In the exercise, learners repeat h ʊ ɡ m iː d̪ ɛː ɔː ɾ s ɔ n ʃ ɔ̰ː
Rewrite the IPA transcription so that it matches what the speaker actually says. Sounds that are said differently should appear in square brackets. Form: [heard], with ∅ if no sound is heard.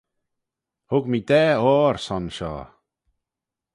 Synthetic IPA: h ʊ ɡ m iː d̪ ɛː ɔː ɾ s ɔ n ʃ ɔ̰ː